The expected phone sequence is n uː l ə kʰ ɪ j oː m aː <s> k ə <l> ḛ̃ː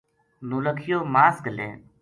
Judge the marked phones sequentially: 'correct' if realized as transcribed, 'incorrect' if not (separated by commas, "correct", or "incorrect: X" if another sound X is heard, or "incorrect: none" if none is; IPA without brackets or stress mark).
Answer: correct, correct